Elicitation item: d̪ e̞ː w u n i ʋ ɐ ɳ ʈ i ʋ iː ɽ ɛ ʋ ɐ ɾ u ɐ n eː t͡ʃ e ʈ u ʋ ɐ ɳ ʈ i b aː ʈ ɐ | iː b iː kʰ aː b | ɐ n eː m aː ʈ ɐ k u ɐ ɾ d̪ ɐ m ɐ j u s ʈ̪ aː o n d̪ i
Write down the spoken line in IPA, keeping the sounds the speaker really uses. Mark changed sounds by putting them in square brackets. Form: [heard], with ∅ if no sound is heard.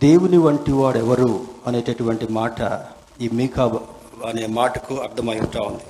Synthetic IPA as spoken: d̪ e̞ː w u n i ʋ ɐ ɳ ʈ i ʋ [aː] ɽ ɛ ʋ ɐ ɾ u ɐ n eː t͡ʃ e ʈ u ʋ ɐ ɳ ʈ i [m] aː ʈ ɐ | iː [m] iː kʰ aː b | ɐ n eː m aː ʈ ɐ k u ɐ ɾ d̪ ɐ m ɐ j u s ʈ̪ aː [u] n d̪ i